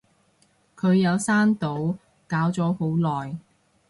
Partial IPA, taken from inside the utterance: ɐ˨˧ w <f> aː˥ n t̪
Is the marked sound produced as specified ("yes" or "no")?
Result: no